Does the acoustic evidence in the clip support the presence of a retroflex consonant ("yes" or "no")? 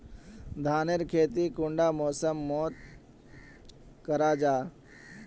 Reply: yes